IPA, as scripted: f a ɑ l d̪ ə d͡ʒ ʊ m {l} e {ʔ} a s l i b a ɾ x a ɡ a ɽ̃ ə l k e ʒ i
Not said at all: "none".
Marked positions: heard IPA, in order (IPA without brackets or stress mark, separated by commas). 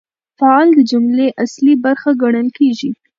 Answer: l, ʔ